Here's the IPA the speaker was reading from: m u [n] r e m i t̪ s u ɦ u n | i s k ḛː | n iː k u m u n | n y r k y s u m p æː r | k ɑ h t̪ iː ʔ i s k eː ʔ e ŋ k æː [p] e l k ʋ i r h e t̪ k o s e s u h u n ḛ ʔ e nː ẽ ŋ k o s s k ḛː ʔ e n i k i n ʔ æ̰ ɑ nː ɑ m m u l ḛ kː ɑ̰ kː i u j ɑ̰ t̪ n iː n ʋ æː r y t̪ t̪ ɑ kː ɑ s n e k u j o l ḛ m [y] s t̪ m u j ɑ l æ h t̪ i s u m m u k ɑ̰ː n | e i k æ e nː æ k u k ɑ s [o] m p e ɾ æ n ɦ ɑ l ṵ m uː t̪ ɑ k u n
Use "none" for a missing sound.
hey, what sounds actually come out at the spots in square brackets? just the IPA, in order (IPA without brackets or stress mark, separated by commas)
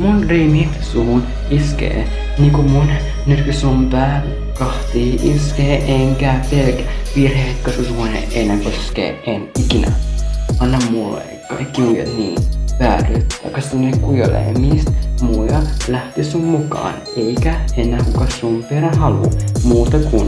n, p, i, u